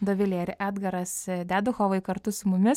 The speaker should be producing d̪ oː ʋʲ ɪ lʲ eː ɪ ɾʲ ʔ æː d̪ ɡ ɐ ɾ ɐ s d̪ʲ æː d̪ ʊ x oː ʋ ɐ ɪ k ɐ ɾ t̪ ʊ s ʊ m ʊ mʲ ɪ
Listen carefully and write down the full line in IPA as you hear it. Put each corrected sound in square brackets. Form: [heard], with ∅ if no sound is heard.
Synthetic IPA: d̪ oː ʋʲ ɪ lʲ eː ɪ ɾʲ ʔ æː d̪ ɡ ɐ ɾ ɐ s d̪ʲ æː d̪ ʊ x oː ʋ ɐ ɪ k ɐ ɾ t̪ ʊ s ʊ m ʊ mʲ ɪ

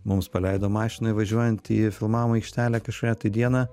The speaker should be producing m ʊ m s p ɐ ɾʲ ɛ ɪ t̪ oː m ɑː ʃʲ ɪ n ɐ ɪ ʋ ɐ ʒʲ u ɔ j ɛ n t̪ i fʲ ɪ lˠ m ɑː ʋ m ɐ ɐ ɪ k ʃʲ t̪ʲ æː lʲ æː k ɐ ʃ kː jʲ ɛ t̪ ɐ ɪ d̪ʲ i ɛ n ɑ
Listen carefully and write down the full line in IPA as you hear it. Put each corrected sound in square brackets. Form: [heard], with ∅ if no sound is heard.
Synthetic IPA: m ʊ m s p ɐ [lʲ] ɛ ɪ [d̪] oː m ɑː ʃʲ ɪ n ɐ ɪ ʋ ɐ ʒʲ u ɔ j ɛ n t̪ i fʲ ɪ lˠ m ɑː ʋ m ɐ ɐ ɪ k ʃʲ t̪ʲ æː lʲ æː k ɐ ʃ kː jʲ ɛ t̪ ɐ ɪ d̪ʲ i ɛ n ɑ

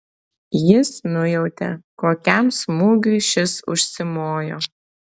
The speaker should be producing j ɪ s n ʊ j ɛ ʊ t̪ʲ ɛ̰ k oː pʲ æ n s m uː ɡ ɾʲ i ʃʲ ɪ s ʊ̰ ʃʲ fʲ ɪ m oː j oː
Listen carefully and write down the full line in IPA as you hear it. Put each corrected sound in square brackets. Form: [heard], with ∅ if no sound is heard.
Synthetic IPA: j ɪ s n ʊ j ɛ ʊ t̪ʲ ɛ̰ k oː [kʲ] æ [m] s m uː ɡ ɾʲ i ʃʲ ɪ s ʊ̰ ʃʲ [sʲ] ɪ m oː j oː

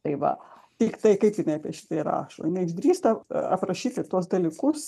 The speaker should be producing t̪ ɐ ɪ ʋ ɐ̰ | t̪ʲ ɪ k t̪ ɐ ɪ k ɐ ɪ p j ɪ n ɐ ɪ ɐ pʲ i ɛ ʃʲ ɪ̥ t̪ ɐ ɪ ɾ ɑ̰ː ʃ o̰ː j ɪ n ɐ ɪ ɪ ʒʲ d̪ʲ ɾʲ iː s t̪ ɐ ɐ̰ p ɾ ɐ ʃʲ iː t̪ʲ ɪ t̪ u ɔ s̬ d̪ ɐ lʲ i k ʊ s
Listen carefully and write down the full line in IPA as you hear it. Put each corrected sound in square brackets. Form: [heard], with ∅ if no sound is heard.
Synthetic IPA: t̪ ɐ ɪ ʋ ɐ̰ | t̪ʲ ɪ k t̪ ɐ ɪ k ɐ ɪ p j ɪ n ɐ ɪ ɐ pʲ i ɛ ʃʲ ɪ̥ t̪ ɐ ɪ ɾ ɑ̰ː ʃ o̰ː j ɪ n ɐ ɪ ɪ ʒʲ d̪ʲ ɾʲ iː s t̪ ɐ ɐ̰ p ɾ ɐ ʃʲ iː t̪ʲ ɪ t̪ u ɔ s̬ d̪ ɐ lʲ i k ʊ s

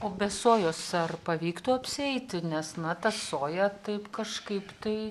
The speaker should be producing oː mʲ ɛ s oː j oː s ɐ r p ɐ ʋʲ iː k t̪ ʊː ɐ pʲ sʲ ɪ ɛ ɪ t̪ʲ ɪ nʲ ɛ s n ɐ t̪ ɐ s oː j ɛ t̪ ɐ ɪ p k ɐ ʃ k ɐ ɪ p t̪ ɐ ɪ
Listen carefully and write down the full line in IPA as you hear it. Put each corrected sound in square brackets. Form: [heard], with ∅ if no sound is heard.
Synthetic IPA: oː [bʲ] ɛ s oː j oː s ɐ r p ɐ ʋʲ iː k t̪ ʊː ɐ pʲ sʲ ɪ ɛ ɪ t̪ʲ ɪ nʲ ɛ s n ɐ t̪ ɐ s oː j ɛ t̪ ɐ ɪ p k ɐ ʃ k ɐ ɪ p t̪ ɐ ɪ

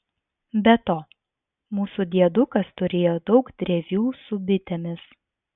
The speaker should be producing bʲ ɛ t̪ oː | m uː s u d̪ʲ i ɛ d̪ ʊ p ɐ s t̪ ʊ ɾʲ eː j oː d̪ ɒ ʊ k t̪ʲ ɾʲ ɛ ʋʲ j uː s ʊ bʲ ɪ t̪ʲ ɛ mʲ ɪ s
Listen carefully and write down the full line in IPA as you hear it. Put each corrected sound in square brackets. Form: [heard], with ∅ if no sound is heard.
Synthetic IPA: bʲ ɛ t̪ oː | m uː s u d̪ʲ i ɛ d̪ ʊ [k] ɐ s t̪ ʊ ɾʲ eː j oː d̪ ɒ ʊ k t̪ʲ ɾʲ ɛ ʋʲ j uː s ʊ bʲ ɪ t̪ʲ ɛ mʲ ɪ s

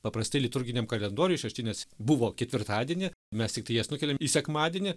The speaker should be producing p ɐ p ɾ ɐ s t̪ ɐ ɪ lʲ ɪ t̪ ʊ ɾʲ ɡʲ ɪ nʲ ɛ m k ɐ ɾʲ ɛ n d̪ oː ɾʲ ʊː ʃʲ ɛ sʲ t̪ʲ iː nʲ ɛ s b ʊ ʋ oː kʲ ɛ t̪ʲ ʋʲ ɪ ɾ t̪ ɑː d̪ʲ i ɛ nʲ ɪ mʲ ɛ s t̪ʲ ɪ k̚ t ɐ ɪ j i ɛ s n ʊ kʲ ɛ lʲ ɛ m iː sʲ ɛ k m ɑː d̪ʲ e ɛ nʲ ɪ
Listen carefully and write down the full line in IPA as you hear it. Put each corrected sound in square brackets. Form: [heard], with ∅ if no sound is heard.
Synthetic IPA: p ɐ p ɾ ɐ s t̪ ɐ ɪ lʲ ɪ t̪ ʊ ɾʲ ɡʲ ɪ nʲ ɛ m k ɐ [lʲ] ɛ n d̪ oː ɾʲ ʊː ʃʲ ɛ [ʃʲ] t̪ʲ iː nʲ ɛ s b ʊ ʋ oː kʲ ɛ t̪ʲ ʋʲ ɪ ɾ t̪ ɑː d̪ʲ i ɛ nʲ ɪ mʲ ɛ s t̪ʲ ɪ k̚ t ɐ ɪ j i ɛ s n ʊ kʲ ɛ lʲ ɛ m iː sʲ ɛ k m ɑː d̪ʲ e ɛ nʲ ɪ

